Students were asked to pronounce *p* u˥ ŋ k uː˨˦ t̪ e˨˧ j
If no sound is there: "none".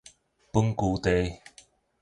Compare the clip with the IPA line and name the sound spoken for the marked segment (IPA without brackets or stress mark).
p